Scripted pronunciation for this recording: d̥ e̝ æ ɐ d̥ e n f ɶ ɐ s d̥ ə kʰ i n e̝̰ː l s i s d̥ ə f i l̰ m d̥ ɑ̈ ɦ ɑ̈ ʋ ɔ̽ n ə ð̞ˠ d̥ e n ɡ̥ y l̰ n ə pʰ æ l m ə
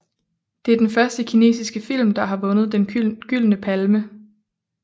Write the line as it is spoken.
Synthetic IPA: d̥ e̝ æ ɐ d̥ e n f ɶ ɐ s d̥ ə kʰ i n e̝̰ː s i s ɡ̥ ə f i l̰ m d̥ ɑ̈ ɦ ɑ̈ ʋ ɔ̽ n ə ð̞ˠ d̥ e n ɡ̥ y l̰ n ə pʰ æ l m ə